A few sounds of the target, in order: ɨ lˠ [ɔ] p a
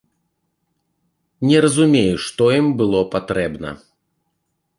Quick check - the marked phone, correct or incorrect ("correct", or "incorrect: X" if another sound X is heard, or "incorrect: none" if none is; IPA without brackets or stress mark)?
correct